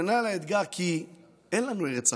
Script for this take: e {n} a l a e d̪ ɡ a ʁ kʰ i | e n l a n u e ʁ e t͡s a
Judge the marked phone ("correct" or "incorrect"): correct